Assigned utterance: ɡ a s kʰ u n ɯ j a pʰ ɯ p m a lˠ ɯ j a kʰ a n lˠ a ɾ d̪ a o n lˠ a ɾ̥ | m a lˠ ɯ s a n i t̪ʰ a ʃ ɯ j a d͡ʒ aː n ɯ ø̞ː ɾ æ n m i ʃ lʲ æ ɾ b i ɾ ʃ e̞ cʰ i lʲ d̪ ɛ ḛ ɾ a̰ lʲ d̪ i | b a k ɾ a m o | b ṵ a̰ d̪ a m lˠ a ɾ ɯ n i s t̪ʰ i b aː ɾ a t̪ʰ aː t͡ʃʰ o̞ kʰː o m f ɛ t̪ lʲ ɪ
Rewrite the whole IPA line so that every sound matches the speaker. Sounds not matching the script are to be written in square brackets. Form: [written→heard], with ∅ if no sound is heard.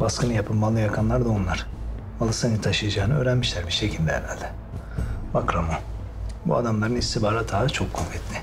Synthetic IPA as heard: [ɡ→b] a s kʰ [u→ɯ] n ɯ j a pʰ ɯ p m a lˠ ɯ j a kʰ a n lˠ a ɾ d̪ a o n lˠ a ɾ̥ | m a lˠ ɯ s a n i t̪ʰ a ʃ ɯ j a d͡ʒ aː n ɯ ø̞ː ɾ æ n m i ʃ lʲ æ ɾ b i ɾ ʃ e̞ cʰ i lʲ d̪ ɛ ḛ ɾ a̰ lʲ d̪ [i→ɛ] | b a k ɾ a m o | b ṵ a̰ d̪ a m lˠ a ɾ ɯ n i s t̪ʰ i b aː ɾ a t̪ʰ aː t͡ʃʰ o̞ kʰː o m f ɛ t̪ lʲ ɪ

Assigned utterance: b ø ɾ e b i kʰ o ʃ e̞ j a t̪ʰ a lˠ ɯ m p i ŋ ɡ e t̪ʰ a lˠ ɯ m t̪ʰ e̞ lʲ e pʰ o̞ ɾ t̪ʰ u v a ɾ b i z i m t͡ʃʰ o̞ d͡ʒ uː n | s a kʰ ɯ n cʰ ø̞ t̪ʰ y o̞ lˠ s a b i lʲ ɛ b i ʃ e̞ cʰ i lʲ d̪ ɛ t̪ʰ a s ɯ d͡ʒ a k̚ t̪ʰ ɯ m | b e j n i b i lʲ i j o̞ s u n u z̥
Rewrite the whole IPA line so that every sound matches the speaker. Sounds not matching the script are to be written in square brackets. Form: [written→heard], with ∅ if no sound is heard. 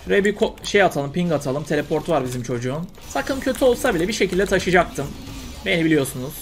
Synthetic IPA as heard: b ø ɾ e b i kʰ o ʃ e̞ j a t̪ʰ a lˠ ɯ m p i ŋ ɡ [e→a] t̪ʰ a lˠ ɯ m t̪ʰ e̞ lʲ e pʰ o̞ ɾ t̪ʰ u v a ɾ b i z i m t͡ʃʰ o̞ d͡ʒ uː n | s a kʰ ɯ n cʰ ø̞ t̪ʰ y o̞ lˠ s a b i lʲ ɛ b i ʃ e̞ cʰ i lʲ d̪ ɛ t̪ʰ a [s→ʃ] ɯ d͡ʒ a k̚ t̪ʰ ɯ m | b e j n i b i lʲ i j o̞ s u n u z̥

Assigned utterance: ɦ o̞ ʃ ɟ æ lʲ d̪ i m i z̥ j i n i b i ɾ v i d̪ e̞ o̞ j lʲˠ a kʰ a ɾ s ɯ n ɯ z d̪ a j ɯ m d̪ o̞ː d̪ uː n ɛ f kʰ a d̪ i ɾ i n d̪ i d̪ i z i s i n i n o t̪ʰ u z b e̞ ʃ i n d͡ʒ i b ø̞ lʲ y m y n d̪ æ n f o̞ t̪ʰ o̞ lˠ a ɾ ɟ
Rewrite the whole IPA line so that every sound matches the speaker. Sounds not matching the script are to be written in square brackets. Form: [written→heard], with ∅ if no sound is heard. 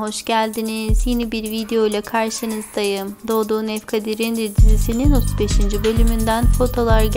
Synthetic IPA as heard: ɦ o̞ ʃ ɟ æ lʲ d̪ i [m→n] i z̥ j i n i b i ɾ v i d̪ e̞ o̞ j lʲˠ a kʰ a ɾ [s→ʃ] ɯ n ɯ z d̪ a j ɯ m d̪ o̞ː d̪ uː n ɛ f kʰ a d̪ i ɾ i n d̪ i d̪ i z i s i n i n o t̪ʰ u z b e̞ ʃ i n d͡ʒ i b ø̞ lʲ y m y n d̪ æ n f o̞ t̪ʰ o̞ lˠ a ɾ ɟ

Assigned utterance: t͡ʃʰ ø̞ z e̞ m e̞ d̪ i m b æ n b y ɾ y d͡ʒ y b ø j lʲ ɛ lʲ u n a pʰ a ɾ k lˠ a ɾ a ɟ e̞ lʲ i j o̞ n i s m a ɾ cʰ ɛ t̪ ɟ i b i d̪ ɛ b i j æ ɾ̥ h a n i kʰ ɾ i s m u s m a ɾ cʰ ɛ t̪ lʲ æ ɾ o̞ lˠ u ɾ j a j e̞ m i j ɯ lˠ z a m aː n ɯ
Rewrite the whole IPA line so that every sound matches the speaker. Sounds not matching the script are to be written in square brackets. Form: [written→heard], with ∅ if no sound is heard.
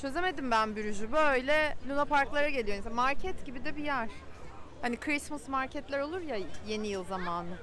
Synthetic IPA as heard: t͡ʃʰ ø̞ z e̞ m e̞ d̪ i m b æ n b y ɾ y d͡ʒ y b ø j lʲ ɛ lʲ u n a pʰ a ɾ k lˠ a ɾ a ɟ e̞ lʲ i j o̞ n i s m a ɾ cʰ ɛ t̪ ɟ i b i d̪ ɛ b i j æ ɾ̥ h a n i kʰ ɾ i s m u s m a ɾ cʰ ɛ t̪ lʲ æ ɾ o̞ lˠ u ɾ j a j e̞ [m→n] i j ɯ lˠ z a m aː n ɯ

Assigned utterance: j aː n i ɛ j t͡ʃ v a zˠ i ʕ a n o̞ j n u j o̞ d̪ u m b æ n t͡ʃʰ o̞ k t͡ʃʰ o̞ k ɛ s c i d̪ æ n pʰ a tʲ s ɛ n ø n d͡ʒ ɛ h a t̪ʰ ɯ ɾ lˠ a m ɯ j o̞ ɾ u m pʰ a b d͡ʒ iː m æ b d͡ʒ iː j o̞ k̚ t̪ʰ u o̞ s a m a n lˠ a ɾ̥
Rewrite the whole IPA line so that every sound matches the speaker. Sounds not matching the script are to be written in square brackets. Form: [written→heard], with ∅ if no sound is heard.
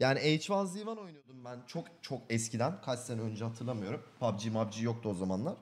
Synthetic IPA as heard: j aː n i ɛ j t͡ʃ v a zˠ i [ʕ→v] a n o̞ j n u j o̞ d̪ u m b æ n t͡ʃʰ o̞ k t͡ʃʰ o̞ k ɛ s c i d̪ æ n [pʰ→kʰ] a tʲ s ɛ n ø n d͡ʒ ɛ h a t̪ʰ ɯ ɾ lˠ a m ɯ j o̞ ɾ u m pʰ a b d͡ʒ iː m [æ→a] b d͡ʒ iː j o̞ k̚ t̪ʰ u o̞ [s→z] a m a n lˠ a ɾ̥

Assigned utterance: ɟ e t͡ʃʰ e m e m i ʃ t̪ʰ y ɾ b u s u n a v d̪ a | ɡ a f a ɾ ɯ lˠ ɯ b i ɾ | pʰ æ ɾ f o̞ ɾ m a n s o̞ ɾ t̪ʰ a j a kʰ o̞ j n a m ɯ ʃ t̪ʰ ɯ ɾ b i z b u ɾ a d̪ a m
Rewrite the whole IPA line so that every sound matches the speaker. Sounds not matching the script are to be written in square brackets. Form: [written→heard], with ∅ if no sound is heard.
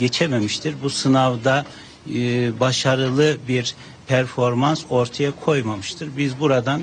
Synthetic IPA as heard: ɟ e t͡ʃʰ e m e m i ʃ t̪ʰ [y→i] ɾ b u s [u→ɯ] n a v d̪ a | [ɡ→b] a [f→ʃ] a ɾ ɯ lˠ ɯ b i ɾ | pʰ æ ɾ f o̞ ɾ m a n s o̞ ɾ t̪ʰ a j a kʰ o̞ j [n→m] a m ɯ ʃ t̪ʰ ɯ ɾ b i z b u ɾ a d̪ a [m→n]

